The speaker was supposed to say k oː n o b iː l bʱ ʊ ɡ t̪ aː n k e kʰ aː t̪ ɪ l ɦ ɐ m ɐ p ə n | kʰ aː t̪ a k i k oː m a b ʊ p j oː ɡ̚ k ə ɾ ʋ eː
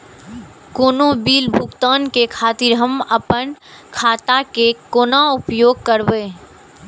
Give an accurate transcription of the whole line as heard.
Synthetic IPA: k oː n o b iː l bʱ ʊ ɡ t̪ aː n k e kʰ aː t̪ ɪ ɾ ɦ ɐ m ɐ p ə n | kʰ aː t̪ a k e k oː n a ʊ p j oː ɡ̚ k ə ɾ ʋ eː